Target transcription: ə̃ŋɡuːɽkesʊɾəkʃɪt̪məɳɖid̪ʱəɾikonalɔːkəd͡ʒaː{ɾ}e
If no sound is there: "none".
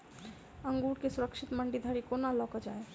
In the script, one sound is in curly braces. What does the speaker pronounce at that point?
none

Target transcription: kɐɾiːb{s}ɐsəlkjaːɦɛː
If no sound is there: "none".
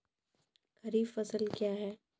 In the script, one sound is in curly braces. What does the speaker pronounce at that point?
f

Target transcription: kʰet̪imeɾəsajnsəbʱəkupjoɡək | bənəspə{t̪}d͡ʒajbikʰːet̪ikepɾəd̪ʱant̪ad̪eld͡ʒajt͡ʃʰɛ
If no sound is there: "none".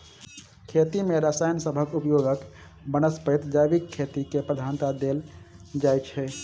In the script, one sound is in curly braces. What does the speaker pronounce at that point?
t̪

